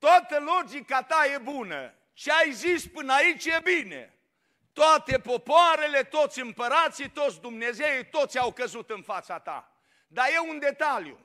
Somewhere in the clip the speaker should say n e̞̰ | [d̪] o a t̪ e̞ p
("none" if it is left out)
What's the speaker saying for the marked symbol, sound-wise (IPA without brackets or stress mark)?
t̪